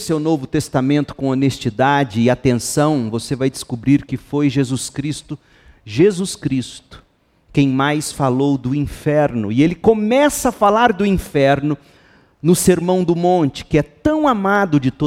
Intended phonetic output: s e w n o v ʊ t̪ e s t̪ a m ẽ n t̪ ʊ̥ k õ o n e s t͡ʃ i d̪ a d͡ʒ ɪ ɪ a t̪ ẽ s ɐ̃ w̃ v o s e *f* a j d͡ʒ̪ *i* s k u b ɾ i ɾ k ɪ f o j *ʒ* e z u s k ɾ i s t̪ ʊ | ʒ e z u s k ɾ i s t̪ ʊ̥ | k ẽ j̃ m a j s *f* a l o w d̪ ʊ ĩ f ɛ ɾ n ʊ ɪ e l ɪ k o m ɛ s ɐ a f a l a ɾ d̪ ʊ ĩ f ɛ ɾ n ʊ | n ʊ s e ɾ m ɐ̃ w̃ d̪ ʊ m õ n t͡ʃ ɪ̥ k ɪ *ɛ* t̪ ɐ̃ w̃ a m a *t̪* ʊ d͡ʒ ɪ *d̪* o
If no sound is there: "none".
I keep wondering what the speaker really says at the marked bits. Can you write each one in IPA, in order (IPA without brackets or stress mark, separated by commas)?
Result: v, ɪ, ʒ, f, ɛ, d̪, t̪